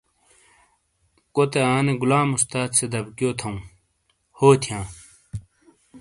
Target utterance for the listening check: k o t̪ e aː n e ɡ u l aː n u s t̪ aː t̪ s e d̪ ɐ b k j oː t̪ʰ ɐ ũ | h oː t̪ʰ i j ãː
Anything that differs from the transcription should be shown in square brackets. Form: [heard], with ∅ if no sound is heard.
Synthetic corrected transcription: k o t̪ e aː n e ɡ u l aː [m] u s t̪ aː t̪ s e d̪ ɐ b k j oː t̪ʰ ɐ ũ | h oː t̪ʰ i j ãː